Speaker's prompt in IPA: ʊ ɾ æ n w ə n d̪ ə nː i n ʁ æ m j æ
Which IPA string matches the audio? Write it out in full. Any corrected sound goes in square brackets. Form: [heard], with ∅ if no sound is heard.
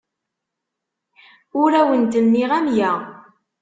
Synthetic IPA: ʊ ɾ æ [∅] w ə n [t̪] ə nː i [∅] ʁ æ m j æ